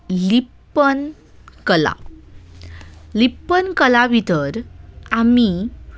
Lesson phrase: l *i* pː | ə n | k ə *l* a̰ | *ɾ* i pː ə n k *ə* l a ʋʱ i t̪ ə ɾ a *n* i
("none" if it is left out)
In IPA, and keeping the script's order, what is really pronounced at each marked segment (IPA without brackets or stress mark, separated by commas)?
i, l, l, ə, m